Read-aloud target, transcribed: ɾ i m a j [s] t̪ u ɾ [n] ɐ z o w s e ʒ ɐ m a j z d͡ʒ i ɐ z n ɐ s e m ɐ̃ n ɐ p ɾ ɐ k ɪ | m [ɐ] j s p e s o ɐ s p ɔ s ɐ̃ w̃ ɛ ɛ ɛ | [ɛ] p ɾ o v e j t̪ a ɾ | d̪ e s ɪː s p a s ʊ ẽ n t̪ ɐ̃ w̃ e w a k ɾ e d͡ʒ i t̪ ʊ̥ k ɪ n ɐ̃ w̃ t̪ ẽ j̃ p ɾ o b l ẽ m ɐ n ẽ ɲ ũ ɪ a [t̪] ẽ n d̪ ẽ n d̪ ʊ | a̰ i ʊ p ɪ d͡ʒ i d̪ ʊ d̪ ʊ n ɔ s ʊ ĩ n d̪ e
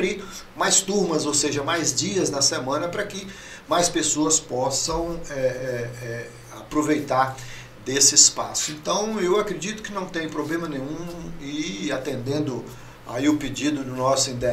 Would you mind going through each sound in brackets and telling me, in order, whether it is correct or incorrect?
correct, incorrect, incorrect, incorrect, correct

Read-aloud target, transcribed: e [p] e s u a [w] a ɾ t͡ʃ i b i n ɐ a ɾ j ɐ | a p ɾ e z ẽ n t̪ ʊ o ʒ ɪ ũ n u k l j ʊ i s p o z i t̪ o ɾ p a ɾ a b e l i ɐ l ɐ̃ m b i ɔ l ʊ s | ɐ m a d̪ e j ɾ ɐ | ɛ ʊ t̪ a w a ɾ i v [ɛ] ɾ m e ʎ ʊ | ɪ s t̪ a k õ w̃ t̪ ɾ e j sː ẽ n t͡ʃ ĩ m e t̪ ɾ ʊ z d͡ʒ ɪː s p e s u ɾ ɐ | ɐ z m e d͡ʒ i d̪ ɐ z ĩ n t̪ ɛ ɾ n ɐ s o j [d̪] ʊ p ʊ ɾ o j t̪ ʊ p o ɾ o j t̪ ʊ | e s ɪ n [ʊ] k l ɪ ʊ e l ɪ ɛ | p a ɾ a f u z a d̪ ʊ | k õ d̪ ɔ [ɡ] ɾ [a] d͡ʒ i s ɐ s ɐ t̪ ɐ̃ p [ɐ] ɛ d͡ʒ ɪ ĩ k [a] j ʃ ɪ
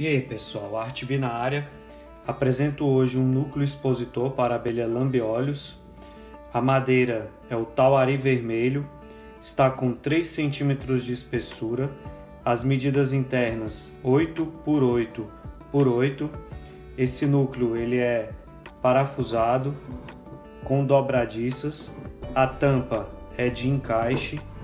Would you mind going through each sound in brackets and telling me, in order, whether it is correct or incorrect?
correct, correct, incorrect, incorrect, incorrect, incorrect, correct, correct, correct

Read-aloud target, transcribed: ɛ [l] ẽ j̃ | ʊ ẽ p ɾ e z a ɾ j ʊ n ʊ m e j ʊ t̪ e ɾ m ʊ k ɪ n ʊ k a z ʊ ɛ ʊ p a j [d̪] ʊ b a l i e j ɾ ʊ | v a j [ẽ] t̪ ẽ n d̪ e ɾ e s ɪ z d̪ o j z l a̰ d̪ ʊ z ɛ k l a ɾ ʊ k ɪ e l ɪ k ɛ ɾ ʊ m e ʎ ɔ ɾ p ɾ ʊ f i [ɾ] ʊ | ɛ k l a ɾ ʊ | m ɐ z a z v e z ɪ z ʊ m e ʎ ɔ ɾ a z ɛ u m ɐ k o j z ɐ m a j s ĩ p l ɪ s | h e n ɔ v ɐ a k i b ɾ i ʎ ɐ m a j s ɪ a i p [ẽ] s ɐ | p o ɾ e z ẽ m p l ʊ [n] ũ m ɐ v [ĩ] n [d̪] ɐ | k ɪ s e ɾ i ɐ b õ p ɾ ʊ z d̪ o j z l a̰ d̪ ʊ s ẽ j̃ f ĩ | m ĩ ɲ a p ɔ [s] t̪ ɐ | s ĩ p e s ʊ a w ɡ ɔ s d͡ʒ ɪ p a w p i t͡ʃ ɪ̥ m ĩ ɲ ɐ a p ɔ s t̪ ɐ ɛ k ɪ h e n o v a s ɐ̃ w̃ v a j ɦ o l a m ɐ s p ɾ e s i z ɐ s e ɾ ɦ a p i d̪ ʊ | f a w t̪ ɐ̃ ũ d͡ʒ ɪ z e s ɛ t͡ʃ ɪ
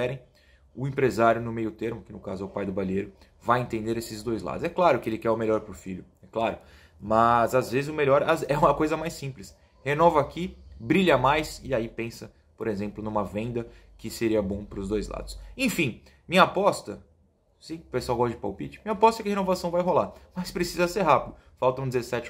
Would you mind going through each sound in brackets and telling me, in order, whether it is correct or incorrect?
incorrect, correct, correct, incorrect, correct, correct, incorrect, correct, correct

